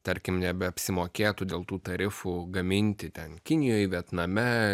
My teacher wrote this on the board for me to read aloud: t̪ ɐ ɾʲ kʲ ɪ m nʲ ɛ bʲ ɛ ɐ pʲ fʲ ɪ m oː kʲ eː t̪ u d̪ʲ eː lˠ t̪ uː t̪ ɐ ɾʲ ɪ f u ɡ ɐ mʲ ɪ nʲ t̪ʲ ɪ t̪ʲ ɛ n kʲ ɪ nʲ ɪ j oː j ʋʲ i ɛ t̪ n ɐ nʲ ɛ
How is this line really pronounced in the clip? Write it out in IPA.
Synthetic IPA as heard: t̪ ɐ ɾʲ kʲ ɪ m nʲ ɛ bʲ ɛ ɐ pʲ sʲ ɪ m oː kʲ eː t̪ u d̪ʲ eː lˠ t̪ uː t̪ ɐ ɾʲ ɪ f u ɡ ɐ mʲ ɪ nʲ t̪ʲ ɪ t̪ʲ ɛ n kʲ ɪ nʲ ɪ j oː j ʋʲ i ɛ t̪ n ɐ mʲ ɛ